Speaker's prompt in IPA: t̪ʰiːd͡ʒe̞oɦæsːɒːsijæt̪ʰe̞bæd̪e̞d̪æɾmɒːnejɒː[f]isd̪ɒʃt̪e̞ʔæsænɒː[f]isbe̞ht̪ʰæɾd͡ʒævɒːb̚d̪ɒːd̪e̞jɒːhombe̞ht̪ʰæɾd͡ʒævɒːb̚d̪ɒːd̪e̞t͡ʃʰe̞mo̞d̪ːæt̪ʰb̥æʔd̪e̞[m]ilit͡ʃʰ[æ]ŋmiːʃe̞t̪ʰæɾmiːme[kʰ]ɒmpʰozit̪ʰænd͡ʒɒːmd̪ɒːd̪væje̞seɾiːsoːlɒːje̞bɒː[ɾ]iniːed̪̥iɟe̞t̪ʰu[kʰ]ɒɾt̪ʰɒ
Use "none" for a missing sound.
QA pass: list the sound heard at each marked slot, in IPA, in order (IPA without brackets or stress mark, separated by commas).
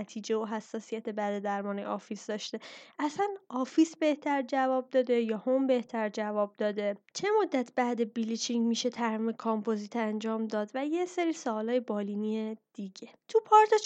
f, f, b, i, kʰ, l, pʰ